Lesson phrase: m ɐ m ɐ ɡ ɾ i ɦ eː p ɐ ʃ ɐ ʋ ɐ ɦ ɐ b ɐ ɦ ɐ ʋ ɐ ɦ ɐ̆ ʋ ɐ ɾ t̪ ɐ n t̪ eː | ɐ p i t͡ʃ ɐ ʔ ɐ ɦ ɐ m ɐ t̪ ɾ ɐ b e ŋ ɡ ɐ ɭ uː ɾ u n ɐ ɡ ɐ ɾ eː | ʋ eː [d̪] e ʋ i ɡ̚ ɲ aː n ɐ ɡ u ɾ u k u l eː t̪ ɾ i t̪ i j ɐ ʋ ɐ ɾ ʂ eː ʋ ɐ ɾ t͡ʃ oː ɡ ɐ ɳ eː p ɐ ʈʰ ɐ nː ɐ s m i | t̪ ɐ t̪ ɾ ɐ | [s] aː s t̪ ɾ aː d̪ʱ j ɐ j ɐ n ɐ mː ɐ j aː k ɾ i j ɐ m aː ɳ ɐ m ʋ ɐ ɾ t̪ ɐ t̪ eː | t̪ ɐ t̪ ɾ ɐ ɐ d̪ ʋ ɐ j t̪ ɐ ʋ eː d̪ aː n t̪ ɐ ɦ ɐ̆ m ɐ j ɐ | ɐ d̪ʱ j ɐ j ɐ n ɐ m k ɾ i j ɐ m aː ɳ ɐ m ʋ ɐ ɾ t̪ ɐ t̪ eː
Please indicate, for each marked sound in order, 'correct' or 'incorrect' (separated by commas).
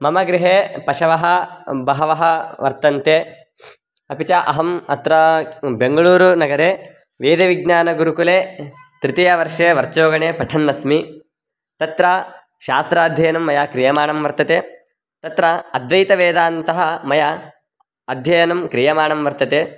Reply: correct, incorrect